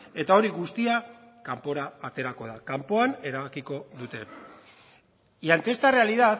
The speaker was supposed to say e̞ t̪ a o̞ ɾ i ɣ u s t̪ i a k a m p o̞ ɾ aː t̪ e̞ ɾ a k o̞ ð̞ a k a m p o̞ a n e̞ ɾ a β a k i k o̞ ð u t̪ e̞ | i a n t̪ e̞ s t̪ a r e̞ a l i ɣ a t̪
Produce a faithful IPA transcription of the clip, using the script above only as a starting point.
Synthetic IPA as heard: e̞ t̪ a o̞ ɾ i ɣ u s t̪ i a k a m p o̞ ɾ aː t̪ e̞ ɾ a k o̞ ð̞ a k a m p o̞ a n e̞ ɾ a β a k i k o̞ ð u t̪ e̞ | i a n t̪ e̞ s t̪ a r e̞ a l i ð a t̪